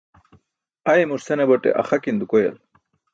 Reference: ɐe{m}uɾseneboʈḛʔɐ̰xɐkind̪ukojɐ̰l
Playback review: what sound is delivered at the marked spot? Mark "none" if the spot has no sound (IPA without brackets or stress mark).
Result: m